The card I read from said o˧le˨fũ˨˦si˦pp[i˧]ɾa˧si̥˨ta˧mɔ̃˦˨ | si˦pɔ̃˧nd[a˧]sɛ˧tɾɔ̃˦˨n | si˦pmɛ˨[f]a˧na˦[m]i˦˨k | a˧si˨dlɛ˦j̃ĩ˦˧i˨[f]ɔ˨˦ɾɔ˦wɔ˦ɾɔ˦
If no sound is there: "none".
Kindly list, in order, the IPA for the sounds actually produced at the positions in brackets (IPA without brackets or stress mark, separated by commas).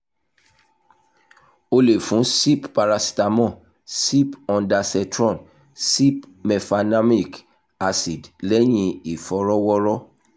a˧, a˧, f, m, f